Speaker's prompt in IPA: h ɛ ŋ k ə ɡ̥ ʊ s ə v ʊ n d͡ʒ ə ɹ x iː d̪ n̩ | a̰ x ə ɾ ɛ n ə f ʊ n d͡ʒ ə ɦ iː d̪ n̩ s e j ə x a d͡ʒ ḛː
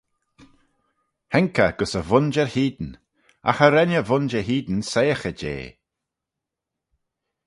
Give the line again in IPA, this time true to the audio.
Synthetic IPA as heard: h ɛ ŋ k ə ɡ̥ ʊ s ə v ʊ n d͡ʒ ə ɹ h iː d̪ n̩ | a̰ x ə ɾ ɛ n ə v ʊ n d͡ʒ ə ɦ iː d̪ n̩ s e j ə x ə d͡ʒ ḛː